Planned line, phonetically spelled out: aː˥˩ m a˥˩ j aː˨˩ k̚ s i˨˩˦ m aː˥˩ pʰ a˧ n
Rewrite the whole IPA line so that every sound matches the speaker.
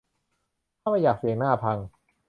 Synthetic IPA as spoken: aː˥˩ m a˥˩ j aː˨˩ k̚ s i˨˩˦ n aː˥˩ pʰ a˧ ŋ